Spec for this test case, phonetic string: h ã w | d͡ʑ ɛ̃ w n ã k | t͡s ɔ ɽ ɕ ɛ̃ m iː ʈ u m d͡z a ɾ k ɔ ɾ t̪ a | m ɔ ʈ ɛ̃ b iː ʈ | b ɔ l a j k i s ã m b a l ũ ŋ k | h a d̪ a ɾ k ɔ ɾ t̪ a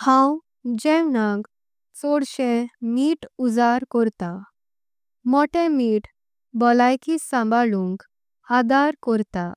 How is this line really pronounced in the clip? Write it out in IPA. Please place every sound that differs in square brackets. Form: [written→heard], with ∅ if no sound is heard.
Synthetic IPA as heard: h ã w | d͡ʑ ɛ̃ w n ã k | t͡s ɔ ɽ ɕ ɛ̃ m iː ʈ u [m→∅] d͡z a ɾ k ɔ ɾ t̪ a | m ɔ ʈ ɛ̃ [b→m] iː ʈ | b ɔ l a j k i s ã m b a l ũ ŋ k | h a d̪ a ɾ k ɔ ɾ t̪ a